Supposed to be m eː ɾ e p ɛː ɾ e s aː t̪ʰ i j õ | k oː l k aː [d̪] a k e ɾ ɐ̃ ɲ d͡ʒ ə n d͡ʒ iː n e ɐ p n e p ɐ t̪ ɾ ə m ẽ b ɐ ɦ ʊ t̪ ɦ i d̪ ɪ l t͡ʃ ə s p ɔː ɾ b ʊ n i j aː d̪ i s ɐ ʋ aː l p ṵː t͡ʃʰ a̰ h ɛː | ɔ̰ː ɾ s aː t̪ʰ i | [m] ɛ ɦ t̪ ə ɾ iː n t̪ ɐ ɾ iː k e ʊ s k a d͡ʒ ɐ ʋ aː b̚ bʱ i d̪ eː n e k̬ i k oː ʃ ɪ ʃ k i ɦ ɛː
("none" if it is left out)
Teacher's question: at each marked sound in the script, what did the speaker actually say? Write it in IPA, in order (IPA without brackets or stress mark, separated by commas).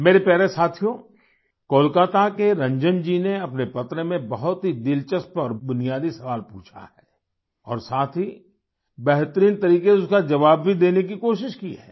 t̪, b